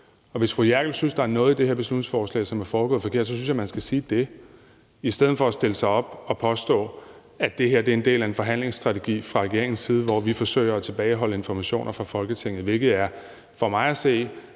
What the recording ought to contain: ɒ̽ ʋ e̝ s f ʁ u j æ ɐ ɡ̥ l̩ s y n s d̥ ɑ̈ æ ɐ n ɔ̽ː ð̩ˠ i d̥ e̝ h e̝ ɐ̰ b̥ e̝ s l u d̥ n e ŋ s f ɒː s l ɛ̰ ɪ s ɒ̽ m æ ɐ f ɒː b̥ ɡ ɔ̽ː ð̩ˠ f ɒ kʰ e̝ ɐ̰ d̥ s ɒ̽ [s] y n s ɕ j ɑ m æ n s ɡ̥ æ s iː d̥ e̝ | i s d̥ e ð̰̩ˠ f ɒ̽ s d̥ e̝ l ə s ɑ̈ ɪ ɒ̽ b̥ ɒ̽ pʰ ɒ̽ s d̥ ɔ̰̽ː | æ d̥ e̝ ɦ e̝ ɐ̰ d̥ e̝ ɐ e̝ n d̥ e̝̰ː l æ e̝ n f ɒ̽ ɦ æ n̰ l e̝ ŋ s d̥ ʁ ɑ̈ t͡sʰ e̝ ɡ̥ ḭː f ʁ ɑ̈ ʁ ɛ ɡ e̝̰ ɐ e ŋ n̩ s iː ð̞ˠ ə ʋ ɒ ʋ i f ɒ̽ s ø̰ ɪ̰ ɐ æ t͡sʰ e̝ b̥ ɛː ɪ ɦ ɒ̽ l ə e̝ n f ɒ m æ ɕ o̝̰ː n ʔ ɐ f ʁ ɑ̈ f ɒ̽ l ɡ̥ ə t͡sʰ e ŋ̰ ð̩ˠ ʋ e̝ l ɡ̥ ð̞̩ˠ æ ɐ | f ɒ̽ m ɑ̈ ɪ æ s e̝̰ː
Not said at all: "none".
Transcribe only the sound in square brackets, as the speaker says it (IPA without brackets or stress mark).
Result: s